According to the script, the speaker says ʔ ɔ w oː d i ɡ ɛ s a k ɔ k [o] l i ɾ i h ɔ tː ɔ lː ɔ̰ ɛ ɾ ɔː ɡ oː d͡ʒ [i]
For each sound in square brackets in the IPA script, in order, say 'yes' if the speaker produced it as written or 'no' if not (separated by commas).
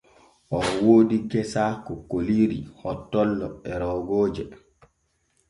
yes, no